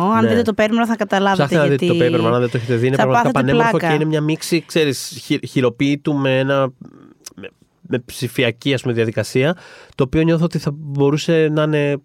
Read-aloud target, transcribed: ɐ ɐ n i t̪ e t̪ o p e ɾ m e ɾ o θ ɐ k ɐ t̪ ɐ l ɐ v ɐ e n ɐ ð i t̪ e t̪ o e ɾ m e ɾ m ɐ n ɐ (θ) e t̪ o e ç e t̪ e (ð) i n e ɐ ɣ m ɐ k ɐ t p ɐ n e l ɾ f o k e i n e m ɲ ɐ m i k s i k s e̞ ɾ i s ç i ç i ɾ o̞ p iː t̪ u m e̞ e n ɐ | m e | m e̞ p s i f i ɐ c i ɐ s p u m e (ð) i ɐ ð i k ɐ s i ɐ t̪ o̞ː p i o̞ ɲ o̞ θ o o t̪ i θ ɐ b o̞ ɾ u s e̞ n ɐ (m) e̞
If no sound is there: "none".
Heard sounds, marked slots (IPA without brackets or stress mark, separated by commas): ð, ð, ð, n